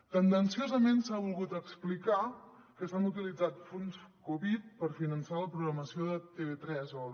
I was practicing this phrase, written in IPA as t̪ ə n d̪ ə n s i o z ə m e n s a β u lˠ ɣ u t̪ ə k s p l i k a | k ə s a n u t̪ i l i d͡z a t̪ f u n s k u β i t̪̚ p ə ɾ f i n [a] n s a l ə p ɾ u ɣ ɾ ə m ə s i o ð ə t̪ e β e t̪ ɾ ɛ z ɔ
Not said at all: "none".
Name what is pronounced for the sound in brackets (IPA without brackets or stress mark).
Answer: ə